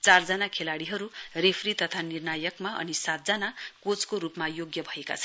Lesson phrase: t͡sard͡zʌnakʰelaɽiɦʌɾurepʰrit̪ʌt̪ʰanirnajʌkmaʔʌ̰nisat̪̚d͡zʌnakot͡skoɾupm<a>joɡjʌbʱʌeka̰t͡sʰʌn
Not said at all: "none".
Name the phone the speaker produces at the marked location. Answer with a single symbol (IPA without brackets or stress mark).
a